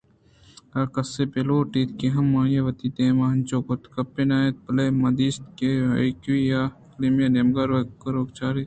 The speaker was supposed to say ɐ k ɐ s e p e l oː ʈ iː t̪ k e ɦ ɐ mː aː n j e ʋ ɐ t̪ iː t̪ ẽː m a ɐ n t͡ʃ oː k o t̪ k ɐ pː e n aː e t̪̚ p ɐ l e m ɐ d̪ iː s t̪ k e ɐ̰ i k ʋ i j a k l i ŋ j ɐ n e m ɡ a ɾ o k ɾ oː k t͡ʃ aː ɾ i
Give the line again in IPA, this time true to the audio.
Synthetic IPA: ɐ k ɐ s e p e l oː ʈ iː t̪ k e ɦ ɐ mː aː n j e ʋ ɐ t̪ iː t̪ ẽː m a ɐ n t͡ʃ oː k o t̪ k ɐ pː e n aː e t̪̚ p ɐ l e m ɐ d̪ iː s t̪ k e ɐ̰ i k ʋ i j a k l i m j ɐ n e m ɡ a ɾ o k ɾ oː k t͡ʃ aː ɾ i